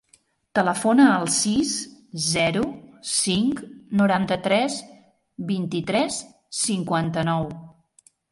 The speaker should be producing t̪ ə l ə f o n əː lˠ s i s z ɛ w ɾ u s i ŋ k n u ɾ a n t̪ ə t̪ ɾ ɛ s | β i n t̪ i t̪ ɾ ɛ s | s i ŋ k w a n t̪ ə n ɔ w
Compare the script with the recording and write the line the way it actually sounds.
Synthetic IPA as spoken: t̪ ə l ə f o n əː lˠ s i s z ɛ ɾ u s i ŋ k n u ɾ a n t̪ ə t̪ ɾ ɛ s | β i n t̪ i t̪ ɾ ɛ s | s i ŋ k w a n t̪ ə n ɔ w